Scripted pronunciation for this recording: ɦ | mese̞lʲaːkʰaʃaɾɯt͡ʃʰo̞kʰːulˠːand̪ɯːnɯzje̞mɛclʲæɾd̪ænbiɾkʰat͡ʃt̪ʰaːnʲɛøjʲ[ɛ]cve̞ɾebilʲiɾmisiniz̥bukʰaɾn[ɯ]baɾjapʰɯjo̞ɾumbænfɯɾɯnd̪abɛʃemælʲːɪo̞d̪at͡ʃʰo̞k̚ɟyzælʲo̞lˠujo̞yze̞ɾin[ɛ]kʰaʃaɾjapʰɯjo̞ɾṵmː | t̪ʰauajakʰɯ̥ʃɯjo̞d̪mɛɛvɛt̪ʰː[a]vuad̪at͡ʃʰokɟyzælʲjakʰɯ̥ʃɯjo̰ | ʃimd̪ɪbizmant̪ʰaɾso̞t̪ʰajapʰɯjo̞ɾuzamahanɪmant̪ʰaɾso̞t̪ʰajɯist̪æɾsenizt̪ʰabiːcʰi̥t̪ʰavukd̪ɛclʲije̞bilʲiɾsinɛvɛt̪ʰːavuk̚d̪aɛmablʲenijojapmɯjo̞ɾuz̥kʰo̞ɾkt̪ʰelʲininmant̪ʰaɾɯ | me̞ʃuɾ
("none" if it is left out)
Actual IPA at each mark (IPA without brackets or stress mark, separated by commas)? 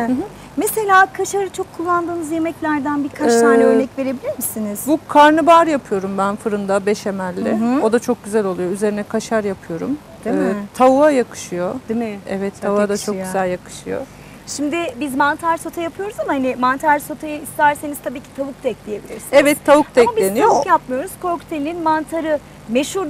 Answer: ɛ, ɯ, ɛ, a